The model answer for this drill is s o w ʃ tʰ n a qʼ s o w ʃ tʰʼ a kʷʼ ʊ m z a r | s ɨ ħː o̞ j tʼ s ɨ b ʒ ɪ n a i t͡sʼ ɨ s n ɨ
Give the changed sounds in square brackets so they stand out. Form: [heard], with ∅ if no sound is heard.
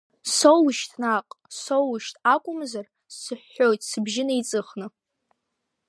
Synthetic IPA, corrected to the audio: s o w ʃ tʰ n a qʼ s o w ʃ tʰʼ a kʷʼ ʊ m z a r | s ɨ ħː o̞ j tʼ s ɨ b ʒ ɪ n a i t͡sʼ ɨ [χ] n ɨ

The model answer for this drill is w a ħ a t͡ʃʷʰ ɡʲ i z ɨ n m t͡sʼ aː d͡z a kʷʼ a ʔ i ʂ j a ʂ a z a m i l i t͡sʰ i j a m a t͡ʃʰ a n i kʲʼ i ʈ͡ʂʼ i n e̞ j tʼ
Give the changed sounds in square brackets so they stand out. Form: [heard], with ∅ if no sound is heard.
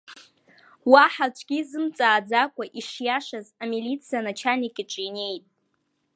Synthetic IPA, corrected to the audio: w a ħ a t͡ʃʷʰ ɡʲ i z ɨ [∅] m t͡sʼ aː d͡z a kʷʼ a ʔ i ʂ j a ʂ a z a m i l i t͡sʰ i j a [n] a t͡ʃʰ a n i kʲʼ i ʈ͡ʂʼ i n e̞ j tʼ

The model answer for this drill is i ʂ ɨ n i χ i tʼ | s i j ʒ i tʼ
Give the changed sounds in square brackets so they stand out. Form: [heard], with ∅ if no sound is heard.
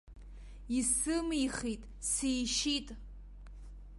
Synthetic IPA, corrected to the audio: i [s] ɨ [m] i χ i tʼ | s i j [ʃ] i tʼ

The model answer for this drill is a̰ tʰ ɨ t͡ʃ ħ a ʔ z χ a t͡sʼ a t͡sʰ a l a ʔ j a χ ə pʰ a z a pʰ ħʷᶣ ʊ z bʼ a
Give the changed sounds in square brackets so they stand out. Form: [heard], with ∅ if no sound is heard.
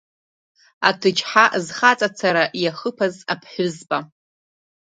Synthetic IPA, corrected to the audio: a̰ tʰ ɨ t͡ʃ ħ a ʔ z χ a t͡sʼ a t͡sʰ a [ɾ] a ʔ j a χ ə pʰ a z a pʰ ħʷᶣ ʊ z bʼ a

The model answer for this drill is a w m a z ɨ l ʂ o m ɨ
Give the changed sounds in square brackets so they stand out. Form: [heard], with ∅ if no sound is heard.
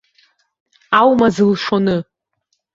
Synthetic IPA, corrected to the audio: a w m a z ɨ l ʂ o [n] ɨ

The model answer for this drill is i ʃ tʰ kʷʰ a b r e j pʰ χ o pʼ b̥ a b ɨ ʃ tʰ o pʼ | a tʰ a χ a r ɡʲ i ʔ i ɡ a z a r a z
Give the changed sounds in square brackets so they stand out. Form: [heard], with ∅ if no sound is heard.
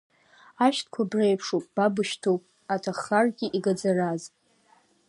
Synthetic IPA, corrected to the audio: [a] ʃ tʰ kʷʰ a b r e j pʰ [ʂ] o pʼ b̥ a b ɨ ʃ tʰ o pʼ | a tʰ a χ a r ɡʲ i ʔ i ɡ a [d͡z] a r a z

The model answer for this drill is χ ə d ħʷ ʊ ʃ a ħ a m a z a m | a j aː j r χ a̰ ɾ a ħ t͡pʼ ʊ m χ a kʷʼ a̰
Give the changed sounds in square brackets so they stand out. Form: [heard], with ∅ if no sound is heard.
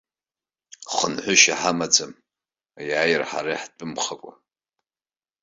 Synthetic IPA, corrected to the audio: χ ə [n] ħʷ ʊ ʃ a ħ a m a [d͡z] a m | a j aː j r [ħ] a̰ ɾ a ħ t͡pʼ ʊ m χ a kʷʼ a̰

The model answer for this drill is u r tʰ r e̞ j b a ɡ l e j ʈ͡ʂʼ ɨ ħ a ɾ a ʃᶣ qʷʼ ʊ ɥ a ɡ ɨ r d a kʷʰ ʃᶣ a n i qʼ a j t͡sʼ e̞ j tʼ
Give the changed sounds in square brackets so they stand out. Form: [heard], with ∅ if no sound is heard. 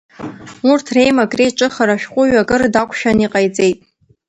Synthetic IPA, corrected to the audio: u r tʰ r e̞ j [m] a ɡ [r] e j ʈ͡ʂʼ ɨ [χ] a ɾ a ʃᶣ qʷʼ ʊ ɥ a ɡ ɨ r d a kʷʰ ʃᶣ a n i qʼ a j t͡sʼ e̞ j tʼ

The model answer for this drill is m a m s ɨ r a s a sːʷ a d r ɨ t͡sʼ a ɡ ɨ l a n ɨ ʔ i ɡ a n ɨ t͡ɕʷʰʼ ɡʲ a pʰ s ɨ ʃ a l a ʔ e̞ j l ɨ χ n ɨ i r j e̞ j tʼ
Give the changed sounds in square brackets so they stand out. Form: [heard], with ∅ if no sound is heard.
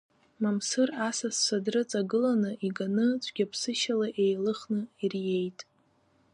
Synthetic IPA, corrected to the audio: m a m s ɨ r a s a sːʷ a d r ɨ t͡sʼ a ɡ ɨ l a n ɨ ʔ i ɡ a n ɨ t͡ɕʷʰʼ ɡʲ a pʰ s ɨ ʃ a l a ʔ e̞ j l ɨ χ n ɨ i r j e̞ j tʼ

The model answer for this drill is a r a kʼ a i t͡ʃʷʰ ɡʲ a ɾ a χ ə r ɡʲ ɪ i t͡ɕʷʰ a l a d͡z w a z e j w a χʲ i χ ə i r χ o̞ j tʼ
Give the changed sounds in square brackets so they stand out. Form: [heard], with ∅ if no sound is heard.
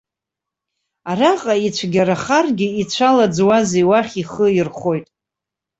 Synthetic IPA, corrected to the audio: a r a [qʼ] a i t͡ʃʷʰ ɡʲ a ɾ a χ [a] r ɡʲ ɪ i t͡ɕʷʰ a l a d͡z w a z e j w a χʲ i χ ə i r χ o̞ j tʼ

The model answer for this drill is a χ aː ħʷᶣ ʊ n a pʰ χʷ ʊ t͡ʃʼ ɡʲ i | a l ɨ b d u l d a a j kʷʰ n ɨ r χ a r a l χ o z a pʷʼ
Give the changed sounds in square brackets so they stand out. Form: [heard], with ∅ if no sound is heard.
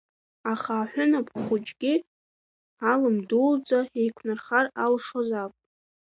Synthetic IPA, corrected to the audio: a χ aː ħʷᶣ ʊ n a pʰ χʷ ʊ t͡ʃʼ ɡʲ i | a l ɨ [m] d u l [d͡z] a [e] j kʷʰ n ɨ r χ a r a l [ʂ] o z a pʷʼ

